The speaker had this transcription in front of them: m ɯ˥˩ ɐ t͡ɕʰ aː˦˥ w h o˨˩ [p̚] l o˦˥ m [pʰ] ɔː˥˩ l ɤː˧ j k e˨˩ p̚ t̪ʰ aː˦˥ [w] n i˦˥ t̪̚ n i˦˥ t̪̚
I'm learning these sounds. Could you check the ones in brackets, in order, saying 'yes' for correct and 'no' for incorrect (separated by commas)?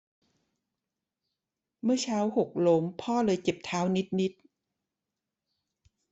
no, yes, yes